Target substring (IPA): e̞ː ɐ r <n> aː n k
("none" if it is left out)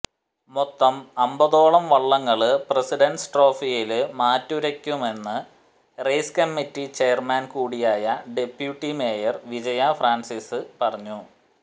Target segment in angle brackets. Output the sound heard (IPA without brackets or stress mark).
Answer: m